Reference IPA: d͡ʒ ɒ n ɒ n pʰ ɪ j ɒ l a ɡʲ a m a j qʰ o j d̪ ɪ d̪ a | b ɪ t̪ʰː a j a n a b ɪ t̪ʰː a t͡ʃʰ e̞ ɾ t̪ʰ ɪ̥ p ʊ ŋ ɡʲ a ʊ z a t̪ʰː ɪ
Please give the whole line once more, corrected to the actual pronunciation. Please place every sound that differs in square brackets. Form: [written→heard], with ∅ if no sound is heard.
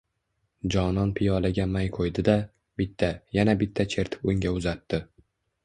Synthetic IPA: d͡ʒ ɒ n ɒ n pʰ ɪ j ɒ l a ɡʲ a m a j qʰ o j d̪ ɪ d̪ a | b ɪ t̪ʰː a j a n a b ɪ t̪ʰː a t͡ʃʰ e̞ ɾ t̪ʰ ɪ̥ p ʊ ŋ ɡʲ a ʊ z a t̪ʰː ɪ